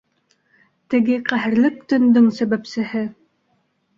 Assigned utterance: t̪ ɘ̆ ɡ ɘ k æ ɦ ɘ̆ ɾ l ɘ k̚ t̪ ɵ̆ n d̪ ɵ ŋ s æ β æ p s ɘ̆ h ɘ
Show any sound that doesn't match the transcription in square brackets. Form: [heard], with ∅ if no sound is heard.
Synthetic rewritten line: t̪ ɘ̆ ɡ ɘ [q] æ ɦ ɘ̆ ɾ l ɘ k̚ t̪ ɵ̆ n d̪ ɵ ŋ s æ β æ p s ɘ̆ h ɘ